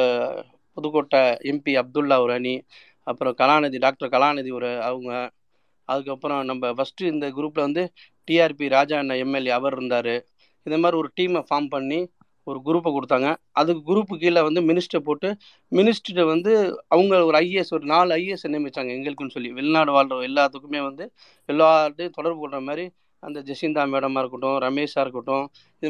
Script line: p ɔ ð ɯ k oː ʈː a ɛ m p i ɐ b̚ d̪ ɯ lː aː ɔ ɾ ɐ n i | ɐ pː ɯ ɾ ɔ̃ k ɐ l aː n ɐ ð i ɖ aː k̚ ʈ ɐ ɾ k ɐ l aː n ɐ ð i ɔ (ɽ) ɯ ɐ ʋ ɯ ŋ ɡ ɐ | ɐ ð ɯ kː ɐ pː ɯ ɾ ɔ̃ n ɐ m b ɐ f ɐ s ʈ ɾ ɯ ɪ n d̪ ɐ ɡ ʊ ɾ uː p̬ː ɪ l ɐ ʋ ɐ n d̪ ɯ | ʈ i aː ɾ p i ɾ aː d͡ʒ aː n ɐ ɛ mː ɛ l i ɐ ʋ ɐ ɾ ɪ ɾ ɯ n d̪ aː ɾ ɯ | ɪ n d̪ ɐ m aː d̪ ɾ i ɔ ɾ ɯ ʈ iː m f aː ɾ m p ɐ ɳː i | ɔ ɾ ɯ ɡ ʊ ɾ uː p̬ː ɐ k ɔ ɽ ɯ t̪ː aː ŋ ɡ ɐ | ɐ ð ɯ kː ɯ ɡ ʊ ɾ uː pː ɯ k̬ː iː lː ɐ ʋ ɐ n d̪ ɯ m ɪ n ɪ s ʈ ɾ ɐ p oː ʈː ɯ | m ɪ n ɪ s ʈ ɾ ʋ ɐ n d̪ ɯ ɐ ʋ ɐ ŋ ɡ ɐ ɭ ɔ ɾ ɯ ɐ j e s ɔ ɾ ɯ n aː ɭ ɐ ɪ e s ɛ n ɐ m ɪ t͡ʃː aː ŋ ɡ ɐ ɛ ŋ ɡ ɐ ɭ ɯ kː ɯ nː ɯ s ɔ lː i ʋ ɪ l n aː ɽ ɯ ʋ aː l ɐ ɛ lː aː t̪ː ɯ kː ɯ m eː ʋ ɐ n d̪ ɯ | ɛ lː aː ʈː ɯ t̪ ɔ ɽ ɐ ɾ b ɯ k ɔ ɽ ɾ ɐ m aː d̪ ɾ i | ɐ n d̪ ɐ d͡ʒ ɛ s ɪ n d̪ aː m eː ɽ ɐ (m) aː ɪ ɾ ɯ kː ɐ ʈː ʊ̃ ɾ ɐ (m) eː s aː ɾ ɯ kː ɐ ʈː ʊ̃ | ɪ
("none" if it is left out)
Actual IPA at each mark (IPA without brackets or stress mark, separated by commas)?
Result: ɾ, m, m